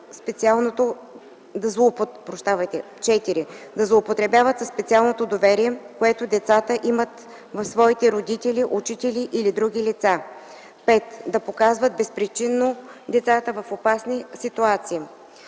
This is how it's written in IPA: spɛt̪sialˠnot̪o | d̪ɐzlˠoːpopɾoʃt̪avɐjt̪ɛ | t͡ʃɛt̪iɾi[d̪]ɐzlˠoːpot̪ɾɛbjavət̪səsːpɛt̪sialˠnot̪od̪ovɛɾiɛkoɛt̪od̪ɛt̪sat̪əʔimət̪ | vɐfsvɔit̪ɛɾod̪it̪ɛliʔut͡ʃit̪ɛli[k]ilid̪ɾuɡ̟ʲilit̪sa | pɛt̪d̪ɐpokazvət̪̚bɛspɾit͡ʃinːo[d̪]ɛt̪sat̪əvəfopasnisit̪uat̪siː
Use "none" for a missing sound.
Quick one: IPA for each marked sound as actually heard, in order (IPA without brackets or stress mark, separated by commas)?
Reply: d̪, ʔ, d̪